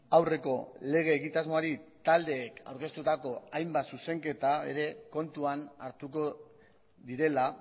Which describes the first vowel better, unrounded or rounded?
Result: unrounded